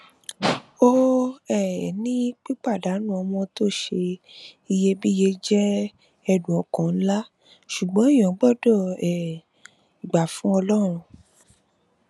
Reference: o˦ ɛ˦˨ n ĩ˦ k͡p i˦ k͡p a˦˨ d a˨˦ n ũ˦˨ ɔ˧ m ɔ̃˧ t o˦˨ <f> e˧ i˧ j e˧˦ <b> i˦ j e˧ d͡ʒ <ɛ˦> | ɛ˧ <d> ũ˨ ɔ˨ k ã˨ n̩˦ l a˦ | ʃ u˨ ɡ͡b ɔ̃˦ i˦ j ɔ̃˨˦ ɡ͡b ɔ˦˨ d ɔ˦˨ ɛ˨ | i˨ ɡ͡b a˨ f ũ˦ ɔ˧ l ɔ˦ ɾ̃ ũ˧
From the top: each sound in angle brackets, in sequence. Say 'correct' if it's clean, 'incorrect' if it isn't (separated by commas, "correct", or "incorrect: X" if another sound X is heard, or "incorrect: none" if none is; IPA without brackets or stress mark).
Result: incorrect: ʃ, correct, correct, correct